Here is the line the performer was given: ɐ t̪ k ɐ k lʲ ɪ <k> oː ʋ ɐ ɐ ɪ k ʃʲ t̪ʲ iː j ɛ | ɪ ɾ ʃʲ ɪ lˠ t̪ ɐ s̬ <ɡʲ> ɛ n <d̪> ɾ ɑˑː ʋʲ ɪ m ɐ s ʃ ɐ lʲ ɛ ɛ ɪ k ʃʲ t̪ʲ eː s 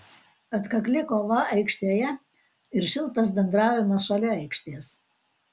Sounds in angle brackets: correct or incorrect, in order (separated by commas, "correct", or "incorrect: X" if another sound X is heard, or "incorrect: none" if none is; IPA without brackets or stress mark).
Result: correct, incorrect: bʲ, correct